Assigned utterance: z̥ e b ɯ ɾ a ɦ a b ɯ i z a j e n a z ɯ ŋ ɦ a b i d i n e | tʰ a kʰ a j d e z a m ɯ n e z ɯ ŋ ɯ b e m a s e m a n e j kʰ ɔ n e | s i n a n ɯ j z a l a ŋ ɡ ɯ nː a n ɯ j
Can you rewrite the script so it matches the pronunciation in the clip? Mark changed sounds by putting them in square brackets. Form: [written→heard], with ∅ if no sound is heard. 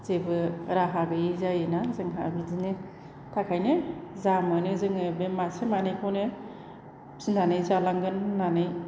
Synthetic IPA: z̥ e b ɯ ɾ a ɦ a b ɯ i z a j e n a z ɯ ŋ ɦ a b i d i n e | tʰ a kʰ a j [d→n] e z a m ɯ n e z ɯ ŋ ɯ b e m a s e m a n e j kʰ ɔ n e | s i n a n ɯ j z a l a ŋ ɡ ɯ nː a n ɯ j